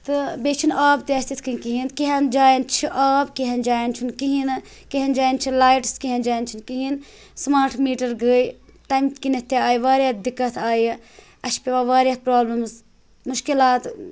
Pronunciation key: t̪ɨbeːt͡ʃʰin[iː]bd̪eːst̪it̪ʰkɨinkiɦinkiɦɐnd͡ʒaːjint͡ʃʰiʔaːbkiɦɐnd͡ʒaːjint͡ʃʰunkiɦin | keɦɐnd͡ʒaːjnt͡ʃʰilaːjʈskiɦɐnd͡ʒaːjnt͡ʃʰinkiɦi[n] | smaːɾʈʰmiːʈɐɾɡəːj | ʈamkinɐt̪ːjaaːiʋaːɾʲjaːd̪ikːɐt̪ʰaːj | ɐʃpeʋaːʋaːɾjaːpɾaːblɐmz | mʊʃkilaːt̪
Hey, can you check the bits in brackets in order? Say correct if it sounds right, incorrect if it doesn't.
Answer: incorrect: aː, correct

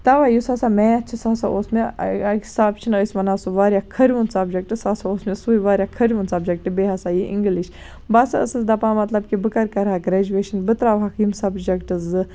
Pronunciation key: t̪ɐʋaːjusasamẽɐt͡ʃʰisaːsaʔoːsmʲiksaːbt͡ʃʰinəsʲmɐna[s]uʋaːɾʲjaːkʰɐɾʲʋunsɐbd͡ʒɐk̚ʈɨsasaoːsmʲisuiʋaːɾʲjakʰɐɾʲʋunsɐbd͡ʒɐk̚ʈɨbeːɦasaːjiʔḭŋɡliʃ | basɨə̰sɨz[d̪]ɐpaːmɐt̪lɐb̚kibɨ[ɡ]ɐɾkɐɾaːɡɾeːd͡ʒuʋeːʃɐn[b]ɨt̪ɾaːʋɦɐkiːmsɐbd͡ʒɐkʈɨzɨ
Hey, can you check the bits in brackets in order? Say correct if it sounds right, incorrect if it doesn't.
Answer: correct, correct, incorrect: k, correct

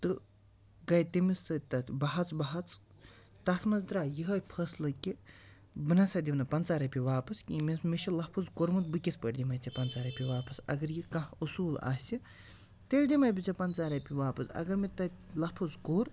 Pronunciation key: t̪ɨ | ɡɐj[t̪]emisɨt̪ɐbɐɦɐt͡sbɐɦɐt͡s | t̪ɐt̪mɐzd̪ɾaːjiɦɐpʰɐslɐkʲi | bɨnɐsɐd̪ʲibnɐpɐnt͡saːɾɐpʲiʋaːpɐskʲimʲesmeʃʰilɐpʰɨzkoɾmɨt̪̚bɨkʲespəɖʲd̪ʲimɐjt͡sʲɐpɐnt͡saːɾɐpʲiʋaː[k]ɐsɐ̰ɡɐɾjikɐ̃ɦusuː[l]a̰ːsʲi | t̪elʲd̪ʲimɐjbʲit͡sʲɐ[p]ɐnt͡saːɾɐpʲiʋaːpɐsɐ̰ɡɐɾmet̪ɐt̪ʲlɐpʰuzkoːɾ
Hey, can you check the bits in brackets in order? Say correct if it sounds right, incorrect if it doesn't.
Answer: correct, incorrect: p, correct, correct

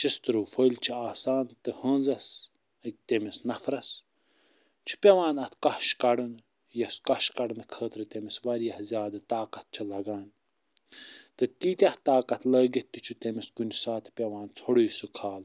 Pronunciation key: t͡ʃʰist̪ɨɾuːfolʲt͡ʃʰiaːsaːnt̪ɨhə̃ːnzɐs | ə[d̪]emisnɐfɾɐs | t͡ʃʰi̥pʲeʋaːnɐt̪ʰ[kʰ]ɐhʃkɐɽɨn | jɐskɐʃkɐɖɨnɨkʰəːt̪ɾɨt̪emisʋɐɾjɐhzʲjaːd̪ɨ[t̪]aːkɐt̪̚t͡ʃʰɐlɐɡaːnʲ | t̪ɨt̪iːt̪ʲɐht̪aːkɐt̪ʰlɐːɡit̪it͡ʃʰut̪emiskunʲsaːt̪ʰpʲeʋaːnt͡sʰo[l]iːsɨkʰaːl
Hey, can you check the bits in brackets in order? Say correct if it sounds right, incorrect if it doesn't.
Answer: incorrect: t̪, incorrect: k, correct, incorrect: ɽ

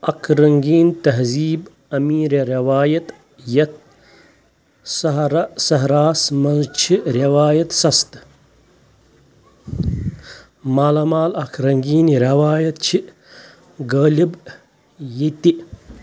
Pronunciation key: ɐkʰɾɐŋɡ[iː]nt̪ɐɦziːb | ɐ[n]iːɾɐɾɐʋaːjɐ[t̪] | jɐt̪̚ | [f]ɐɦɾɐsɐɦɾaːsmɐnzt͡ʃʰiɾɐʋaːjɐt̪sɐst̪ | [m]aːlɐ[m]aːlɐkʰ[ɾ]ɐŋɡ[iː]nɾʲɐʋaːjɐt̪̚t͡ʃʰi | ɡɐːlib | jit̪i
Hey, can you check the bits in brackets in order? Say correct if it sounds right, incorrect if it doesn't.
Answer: correct, incorrect: m, correct, incorrect: s, correct, correct, correct, correct

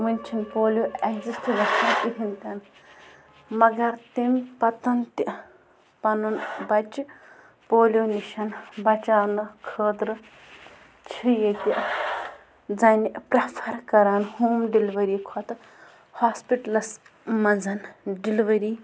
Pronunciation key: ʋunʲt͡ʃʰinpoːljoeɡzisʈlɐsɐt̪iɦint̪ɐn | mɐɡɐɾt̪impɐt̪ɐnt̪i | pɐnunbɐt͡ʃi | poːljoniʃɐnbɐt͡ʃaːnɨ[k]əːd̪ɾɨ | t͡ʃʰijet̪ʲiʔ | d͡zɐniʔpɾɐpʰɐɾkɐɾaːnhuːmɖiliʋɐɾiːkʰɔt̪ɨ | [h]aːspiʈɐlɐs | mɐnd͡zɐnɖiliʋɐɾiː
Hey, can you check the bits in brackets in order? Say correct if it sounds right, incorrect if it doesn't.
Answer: incorrect: kʰ, correct

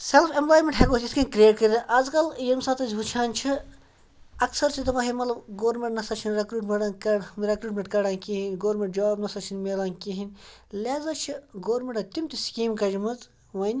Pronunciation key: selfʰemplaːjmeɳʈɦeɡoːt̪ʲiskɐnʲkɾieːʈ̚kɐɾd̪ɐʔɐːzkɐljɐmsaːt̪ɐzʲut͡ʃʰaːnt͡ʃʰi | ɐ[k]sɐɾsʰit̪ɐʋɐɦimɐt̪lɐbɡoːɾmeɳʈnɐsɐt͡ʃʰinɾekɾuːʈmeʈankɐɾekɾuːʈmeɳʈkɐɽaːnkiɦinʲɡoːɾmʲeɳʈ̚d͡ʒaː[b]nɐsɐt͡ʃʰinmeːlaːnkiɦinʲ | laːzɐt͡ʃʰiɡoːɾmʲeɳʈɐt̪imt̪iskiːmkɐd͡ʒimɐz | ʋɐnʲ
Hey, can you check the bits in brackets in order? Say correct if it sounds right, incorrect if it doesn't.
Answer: correct, correct

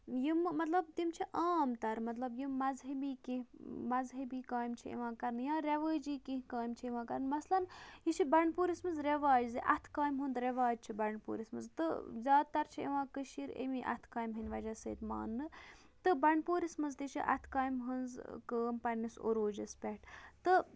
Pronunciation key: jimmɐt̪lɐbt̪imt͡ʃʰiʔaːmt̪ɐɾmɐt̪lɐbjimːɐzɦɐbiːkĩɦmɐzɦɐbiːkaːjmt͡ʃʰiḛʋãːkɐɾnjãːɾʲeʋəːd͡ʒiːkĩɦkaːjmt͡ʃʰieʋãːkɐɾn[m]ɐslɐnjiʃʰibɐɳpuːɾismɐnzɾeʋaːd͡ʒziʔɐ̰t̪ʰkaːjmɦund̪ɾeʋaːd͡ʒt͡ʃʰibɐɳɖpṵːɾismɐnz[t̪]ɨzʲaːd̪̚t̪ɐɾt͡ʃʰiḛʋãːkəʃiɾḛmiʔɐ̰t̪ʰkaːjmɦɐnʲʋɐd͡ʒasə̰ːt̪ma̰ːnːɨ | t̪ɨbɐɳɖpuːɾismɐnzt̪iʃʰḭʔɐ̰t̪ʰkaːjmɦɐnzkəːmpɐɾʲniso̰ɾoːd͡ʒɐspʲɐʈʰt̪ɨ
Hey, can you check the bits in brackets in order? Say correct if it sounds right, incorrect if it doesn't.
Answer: correct, correct

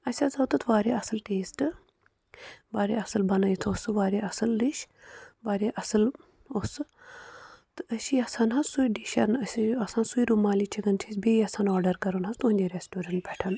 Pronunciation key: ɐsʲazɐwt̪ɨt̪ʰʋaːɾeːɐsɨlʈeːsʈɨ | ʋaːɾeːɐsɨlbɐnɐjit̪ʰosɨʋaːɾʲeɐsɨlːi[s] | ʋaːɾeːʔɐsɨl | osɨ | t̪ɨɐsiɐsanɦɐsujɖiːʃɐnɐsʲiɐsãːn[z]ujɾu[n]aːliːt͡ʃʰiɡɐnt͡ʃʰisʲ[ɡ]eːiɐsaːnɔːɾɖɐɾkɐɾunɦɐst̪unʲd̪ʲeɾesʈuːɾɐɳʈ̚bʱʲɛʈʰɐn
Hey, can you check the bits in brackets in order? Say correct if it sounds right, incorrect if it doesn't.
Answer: incorrect: ʃ, incorrect: s, incorrect: m, incorrect: b

